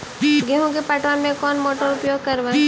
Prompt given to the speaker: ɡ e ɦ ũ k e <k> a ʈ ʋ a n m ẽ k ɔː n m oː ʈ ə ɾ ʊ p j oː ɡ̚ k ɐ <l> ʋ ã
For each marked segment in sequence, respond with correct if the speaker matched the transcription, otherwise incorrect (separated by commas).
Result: incorrect, incorrect